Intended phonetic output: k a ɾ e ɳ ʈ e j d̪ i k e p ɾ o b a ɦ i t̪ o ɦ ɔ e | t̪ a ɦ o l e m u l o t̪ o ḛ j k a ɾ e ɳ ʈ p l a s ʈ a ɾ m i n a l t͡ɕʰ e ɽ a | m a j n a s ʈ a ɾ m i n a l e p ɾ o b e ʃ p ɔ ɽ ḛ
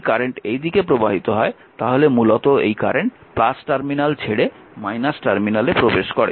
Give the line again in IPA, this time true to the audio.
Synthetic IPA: k a ɾ e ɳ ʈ e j d̪ i k e p ɾ o b a ɦ i t̪ o ɦ ɔ e | t̪ a ɦ o l e m u l o t̪ o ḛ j k a ɾ e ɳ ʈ p l a s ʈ a ɾ m i n a l t͡ɕʰ e ɽ e | m a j n a s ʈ a ɾ m i n a l e p ɾ o b e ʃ k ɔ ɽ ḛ